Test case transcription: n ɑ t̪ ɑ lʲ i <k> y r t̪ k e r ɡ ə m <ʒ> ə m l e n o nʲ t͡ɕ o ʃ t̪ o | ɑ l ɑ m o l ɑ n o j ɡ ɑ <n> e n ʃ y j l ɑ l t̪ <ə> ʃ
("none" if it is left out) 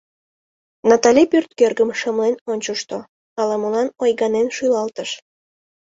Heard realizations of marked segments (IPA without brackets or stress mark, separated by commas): p, ʃ, n, ə